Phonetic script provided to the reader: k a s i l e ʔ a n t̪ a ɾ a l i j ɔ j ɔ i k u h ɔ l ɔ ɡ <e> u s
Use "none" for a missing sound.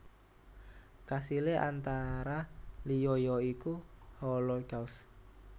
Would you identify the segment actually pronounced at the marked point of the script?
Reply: a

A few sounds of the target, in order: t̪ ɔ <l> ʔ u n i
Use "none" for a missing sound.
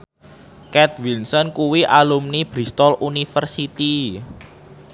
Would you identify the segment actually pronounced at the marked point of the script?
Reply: l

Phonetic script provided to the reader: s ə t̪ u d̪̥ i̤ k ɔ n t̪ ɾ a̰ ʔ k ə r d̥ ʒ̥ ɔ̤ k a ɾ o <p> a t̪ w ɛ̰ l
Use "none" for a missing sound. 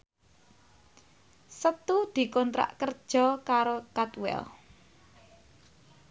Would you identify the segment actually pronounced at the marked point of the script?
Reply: k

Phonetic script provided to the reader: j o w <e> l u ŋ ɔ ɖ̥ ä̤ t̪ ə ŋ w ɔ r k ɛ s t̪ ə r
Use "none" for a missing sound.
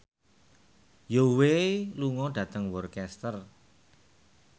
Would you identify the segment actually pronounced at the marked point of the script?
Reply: e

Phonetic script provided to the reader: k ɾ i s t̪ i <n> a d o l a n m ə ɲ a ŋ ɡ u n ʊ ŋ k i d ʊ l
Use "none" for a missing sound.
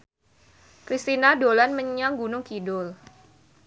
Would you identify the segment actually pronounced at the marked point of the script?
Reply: n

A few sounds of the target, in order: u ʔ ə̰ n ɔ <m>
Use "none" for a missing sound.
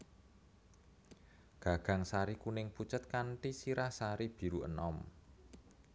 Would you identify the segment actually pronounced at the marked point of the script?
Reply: m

